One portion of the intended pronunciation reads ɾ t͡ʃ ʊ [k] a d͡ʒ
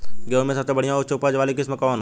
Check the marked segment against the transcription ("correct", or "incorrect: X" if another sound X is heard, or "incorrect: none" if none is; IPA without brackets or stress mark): incorrect: p